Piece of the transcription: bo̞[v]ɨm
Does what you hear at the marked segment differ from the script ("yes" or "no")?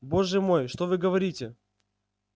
yes